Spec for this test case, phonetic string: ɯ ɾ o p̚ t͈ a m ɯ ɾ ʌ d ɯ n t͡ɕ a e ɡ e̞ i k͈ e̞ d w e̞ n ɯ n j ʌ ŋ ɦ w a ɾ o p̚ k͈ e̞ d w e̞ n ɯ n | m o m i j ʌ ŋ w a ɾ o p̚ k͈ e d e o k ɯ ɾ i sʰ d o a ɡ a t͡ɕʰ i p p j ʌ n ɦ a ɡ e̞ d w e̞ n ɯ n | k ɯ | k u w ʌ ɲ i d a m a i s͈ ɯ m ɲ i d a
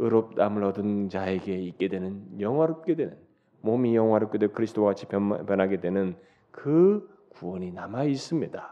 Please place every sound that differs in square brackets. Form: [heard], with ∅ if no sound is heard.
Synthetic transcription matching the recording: ɯ ɾ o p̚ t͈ a m ɯ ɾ ʌ d ɯ n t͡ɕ a e ɡ e̞ i k͈ e̞ d w e̞ n ɯ n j ʌ ŋ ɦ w a ɾ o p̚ k͈ e̞ d w e̞ n ɯ n | m o m i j ʌ ŋ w a ɾ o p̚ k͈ e d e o k ɯ ɾ i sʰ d o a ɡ a t͡ɕʰ i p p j ʌ n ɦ a ɡ e̞ d w e̞ n ɯ n | k ɯ | k u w ʌ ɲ i [n] a m a i s͈ ɯ m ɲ i d a